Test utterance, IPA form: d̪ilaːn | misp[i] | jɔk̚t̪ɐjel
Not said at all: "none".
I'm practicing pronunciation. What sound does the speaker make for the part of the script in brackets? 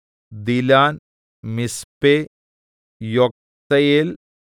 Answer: e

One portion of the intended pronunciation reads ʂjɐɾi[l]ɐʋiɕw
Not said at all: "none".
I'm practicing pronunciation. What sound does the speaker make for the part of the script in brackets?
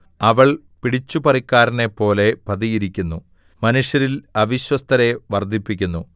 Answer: l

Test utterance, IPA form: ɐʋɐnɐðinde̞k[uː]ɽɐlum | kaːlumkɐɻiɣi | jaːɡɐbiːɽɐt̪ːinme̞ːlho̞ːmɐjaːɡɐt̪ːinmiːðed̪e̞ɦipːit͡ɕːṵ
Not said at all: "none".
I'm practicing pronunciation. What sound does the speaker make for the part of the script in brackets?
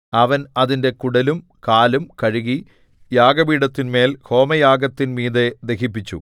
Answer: u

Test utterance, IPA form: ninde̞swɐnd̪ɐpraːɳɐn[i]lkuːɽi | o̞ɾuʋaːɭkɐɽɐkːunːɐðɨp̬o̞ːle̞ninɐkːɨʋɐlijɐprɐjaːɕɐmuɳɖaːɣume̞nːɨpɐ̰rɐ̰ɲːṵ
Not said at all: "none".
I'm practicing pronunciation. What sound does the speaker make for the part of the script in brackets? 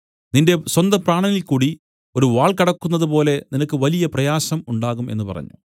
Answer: i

